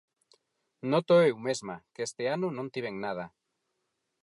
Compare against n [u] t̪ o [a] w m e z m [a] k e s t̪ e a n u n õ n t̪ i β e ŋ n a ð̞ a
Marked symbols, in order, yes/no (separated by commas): no, no, yes